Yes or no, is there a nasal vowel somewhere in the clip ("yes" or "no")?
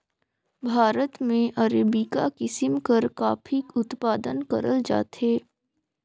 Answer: yes